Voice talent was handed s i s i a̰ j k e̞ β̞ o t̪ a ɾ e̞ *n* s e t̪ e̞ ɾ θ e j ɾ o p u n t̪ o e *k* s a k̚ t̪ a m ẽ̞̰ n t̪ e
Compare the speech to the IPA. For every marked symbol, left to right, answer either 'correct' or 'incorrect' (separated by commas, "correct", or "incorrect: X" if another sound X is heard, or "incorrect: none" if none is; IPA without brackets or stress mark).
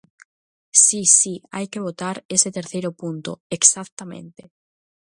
incorrect: none, correct